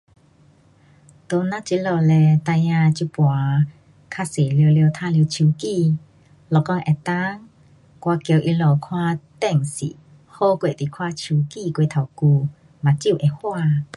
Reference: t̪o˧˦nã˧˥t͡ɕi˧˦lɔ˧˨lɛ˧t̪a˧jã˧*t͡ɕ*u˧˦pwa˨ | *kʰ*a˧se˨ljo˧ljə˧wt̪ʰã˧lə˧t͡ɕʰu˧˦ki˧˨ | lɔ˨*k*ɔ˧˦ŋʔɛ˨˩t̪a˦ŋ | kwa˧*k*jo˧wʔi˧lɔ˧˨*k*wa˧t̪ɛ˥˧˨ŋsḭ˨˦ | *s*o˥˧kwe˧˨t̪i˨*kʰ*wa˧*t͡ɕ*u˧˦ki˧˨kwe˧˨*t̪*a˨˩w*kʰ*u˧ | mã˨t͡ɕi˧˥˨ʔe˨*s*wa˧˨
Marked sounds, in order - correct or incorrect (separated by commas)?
correct, correct, correct, correct, incorrect, incorrect, correct, incorrect, incorrect, incorrect, incorrect